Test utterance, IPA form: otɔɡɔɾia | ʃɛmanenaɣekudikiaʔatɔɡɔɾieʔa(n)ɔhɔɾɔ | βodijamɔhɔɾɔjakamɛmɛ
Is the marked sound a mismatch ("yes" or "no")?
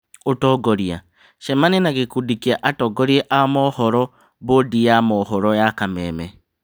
yes